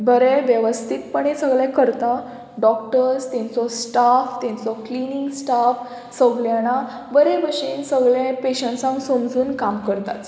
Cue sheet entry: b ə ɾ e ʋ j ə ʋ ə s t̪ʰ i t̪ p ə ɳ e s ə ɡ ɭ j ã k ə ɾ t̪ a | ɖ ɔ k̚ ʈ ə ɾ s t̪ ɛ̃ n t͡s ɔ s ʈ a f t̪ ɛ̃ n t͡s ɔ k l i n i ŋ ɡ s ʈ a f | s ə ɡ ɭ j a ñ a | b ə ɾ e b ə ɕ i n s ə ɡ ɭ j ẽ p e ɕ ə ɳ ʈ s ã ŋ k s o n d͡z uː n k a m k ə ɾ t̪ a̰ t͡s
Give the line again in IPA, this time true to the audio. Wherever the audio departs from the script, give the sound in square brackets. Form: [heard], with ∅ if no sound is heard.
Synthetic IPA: b ə ɾ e ʋ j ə ʋ ə s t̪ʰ i t̪ p ə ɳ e s ə ɡ ɭ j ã k ə ɾ t̪ a | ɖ ɔ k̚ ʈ ə ɾ s t̪ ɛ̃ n t͡s ɔ s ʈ a f t̪ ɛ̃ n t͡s ɔ k l i n i ŋ ɡ s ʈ a f | s ə ɡ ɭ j a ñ a | b ə ɾ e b ə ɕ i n s ə ɡ ɭ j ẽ p e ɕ ə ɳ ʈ s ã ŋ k s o [m] d͡z uː n k a m k ə ɾ t̪ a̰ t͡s